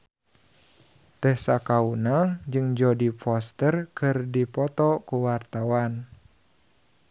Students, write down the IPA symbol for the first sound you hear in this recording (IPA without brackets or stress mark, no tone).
t̪